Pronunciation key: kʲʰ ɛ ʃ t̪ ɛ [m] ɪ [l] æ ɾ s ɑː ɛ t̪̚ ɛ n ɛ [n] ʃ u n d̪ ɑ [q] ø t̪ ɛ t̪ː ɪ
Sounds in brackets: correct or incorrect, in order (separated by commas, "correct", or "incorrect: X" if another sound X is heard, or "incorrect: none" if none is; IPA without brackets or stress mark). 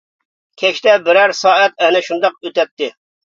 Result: incorrect: b, incorrect: ɾ, incorrect: none, correct